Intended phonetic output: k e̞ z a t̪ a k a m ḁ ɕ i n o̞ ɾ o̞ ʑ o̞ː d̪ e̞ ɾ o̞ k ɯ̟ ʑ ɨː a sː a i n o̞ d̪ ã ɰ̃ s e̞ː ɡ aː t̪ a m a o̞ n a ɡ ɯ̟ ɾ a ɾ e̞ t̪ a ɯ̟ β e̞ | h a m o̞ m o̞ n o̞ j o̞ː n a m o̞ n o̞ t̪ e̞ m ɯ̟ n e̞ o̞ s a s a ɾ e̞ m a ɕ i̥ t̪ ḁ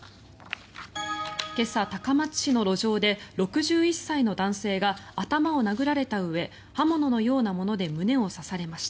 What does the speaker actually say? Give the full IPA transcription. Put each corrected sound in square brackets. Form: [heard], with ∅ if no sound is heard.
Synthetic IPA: k e̞ [s] a t̪ a k a m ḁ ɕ i n o̞ ɾ o̞ ʑ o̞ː d̪ e̞ ɾ o̞ k ɯ̟ ʑ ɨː [i] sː a i n o̞ d̪ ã ɰ̃ s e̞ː ɡ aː t̪ a m a o̞ n a ɡ ɯ̟ ɾ a ɾ e̞ t̪ a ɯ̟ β e̞ | h a m o̞ [n] o̞ n o̞ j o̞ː n a m o̞ n o̞ [d̪] e̞ m ɯ̟ n e̞ o̞ s a s a ɾ e̞ m a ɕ i̥ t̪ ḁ